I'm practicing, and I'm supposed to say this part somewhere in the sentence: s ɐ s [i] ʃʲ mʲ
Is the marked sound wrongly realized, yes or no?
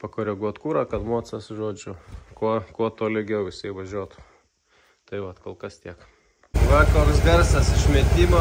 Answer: yes